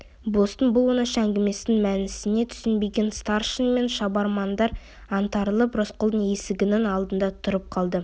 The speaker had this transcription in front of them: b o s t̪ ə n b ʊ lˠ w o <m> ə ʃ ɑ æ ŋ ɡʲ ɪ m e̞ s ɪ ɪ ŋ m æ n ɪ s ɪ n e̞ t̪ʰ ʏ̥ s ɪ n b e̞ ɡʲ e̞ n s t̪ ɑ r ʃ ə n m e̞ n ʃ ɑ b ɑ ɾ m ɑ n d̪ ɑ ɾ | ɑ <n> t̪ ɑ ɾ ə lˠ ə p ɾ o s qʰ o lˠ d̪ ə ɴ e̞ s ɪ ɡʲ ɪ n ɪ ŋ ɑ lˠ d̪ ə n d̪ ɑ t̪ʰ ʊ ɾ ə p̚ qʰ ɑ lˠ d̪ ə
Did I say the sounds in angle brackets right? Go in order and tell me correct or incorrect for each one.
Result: incorrect: n, correct

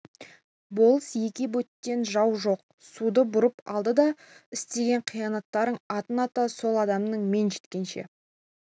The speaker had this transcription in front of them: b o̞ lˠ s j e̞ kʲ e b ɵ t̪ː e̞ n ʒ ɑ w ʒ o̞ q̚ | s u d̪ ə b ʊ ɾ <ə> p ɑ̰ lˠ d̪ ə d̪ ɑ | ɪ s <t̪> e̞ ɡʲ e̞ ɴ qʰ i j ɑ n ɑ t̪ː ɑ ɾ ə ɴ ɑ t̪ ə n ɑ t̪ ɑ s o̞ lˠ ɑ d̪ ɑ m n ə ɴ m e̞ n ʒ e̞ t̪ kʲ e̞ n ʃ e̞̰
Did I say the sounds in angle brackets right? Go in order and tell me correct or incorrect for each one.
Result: correct, correct

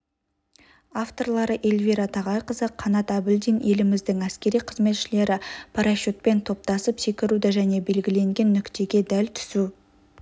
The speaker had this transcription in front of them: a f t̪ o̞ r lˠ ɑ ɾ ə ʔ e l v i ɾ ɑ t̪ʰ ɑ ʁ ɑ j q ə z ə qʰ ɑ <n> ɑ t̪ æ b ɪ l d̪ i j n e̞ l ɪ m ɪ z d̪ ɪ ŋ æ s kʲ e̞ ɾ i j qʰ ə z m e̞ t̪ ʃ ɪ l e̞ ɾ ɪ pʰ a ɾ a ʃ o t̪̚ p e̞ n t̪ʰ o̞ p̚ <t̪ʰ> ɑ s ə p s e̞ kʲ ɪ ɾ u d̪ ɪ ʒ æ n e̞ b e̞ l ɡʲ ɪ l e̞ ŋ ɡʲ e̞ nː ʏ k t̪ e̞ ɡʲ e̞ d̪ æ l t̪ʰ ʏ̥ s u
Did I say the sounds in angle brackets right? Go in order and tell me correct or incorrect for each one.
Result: correct, incorrect: t̪

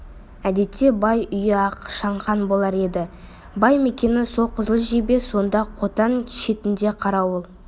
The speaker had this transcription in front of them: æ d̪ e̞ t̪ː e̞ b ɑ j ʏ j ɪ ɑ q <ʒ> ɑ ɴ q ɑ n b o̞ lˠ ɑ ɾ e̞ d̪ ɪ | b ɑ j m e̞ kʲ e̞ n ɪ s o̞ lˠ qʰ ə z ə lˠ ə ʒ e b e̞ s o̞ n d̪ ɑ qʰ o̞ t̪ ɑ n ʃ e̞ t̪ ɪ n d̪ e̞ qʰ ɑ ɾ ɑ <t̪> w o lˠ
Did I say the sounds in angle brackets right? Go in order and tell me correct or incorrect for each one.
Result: incorrect: ʃ, incorrect: none

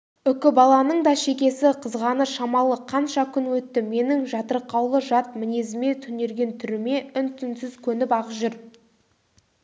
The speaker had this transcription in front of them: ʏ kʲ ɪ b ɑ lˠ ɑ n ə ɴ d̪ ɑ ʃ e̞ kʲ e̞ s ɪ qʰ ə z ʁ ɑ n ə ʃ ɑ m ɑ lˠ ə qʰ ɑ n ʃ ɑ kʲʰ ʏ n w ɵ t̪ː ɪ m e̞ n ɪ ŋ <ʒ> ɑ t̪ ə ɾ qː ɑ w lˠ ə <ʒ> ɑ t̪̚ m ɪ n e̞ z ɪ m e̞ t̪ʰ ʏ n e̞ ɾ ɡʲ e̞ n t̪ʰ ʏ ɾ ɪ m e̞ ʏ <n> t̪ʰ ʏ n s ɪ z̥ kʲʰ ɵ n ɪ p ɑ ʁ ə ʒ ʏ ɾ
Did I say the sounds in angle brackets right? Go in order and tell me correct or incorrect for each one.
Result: correct, correct, correct

